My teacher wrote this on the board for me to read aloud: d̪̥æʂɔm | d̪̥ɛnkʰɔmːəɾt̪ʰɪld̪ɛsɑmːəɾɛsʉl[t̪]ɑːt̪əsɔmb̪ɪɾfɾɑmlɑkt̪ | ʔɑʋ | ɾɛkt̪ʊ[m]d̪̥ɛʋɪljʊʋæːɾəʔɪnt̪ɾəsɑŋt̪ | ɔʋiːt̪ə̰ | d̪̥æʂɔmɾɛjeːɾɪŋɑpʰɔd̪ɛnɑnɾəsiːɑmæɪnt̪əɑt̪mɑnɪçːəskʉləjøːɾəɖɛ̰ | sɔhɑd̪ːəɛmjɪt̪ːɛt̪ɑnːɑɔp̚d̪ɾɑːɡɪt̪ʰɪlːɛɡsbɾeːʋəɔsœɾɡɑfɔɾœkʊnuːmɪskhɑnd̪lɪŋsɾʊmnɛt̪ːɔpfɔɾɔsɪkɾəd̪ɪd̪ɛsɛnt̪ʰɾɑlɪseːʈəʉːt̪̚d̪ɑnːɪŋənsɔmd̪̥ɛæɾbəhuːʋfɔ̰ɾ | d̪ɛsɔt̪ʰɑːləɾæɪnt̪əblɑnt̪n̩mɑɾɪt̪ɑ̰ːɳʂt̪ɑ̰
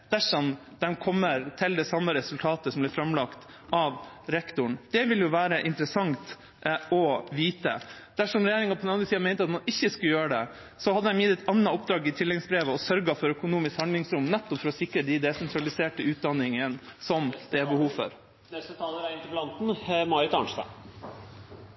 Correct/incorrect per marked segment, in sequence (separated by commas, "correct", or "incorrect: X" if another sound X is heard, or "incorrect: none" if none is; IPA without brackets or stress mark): incorrect: t̪ʰ, incorrect: ɳ